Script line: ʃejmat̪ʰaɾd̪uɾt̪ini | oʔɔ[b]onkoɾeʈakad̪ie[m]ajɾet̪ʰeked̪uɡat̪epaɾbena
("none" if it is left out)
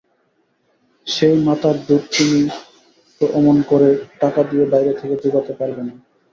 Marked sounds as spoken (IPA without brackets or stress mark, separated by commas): m, b